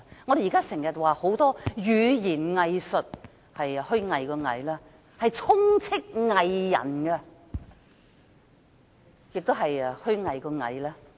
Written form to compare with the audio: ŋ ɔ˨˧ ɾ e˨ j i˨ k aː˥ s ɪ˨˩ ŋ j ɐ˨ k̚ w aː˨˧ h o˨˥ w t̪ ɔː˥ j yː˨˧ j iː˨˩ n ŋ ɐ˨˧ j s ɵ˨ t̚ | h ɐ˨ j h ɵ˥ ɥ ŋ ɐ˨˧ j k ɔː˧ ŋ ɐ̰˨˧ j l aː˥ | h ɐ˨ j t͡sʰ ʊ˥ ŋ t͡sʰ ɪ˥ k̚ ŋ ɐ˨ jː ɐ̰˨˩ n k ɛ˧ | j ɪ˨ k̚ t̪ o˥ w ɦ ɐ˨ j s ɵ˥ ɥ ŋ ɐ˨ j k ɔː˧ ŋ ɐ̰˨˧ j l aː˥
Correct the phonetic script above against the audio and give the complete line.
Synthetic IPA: ŋ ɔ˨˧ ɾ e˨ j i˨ k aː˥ s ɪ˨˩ ŋ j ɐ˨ t̚ w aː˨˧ h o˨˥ w t̪ ɔː˥ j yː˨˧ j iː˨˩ n ŋ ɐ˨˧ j s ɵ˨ t̚ | h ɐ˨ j h ɵ˥ ɥ ŋ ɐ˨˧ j k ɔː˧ ŋ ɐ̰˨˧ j l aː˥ | h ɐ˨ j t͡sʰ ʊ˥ ŋ t͡sʰ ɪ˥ k̚ ŋ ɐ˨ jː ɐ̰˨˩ n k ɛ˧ | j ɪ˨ k̚ t̪ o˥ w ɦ ɐ˨ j h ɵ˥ ɥ ŋ ɐ˨ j k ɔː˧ ŋ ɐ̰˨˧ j l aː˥

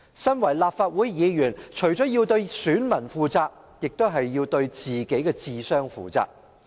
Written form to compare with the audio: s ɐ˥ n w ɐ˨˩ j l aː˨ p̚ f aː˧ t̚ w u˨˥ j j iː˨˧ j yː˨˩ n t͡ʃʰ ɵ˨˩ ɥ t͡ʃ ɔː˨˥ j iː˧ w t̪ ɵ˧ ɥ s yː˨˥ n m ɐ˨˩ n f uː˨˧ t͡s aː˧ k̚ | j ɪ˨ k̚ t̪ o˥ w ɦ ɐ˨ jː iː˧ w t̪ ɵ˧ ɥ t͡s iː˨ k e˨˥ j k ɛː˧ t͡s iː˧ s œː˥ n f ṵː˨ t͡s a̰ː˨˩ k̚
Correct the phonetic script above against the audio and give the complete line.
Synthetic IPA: s ɐ˥ n w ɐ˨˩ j l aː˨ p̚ f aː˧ t̚ w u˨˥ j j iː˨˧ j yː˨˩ n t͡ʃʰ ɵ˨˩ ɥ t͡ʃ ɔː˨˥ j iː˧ w t̪ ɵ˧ ɥ s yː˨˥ n m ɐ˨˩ n f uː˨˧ t͡s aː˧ k̚ | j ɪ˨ k̚ t̪ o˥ w ɦ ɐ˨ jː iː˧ w t̪ ɵ˧ ɥ t͡s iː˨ k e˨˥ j k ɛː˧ t͡s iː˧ s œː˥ ŋ f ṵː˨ t͡s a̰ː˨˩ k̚

